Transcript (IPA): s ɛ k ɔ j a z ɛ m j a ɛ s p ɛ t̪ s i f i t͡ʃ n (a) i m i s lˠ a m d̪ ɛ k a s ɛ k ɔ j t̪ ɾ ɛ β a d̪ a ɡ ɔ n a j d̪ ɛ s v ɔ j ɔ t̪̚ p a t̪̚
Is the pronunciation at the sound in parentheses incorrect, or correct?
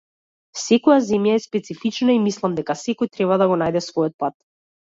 correct